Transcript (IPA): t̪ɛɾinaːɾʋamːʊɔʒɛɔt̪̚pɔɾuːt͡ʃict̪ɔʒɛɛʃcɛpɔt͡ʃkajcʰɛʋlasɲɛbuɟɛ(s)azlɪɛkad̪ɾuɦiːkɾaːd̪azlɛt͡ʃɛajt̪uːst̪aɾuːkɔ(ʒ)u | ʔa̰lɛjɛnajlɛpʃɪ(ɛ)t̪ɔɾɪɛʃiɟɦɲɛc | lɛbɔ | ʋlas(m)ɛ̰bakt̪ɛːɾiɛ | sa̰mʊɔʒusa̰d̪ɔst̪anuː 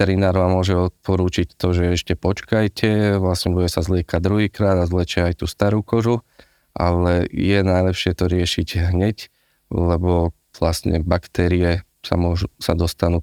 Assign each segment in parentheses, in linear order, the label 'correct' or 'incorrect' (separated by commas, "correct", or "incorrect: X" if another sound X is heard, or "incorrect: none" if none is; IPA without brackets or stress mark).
correct, correct, correct, incorrect: ɲ